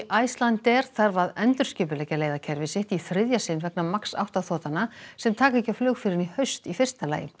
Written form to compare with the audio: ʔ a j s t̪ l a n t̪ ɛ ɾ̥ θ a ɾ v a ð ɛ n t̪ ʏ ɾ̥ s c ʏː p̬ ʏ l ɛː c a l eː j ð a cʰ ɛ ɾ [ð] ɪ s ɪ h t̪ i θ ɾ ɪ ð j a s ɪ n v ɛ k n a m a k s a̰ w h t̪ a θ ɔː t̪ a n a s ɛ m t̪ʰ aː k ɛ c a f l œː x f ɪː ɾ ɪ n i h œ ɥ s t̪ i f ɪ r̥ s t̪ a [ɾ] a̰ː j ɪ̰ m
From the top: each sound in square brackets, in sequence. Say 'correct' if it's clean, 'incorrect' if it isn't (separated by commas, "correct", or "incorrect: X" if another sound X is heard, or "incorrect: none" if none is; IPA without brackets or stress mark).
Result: incorrect: v, incorrect: l